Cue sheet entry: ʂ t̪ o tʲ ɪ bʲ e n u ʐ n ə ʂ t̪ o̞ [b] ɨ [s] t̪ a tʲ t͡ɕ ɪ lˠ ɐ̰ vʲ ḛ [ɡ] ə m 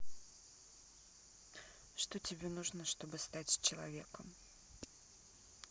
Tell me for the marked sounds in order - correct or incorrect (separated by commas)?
correct, correct, incorrect